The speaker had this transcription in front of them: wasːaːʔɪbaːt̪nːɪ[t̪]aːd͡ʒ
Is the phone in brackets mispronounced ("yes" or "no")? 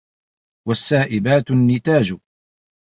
no